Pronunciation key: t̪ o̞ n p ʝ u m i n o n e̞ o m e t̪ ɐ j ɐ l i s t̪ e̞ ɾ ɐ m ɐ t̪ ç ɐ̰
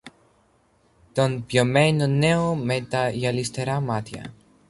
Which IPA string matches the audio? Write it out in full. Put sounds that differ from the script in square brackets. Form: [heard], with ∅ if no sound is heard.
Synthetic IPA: t̪ o̞ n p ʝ [o] m [e] n o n e̞ o m e t̪ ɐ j ɐ l i s t̪ e̞ ɾ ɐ m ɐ t̪ ç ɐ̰